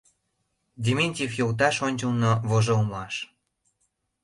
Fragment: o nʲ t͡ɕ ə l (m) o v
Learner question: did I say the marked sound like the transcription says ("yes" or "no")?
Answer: no